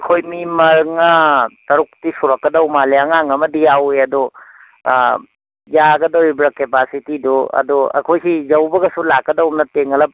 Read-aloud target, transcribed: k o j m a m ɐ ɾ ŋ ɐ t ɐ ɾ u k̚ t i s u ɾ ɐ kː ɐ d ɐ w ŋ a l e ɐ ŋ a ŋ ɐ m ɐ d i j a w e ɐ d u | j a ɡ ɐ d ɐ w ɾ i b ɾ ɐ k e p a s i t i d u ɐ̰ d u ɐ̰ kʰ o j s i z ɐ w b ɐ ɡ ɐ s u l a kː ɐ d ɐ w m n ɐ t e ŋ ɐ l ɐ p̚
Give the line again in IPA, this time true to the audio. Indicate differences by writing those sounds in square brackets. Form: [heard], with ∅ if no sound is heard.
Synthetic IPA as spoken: [kʰ] o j m [i] m ɐ ɾ ŋ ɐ t ɐ ɾ u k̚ t i s u ɾ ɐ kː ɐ d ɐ w [m] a l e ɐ ŋ a ŋ ɐ m ɐ d i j a w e ɐ d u | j a ɡ ɐ d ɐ w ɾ i b ɾ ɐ k e p a s i t i d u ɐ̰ d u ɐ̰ kʰ o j s i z ɐ w b ɐ ɡ ɐ s u l a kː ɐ d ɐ w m n ɐ t e ŋ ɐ l ɐ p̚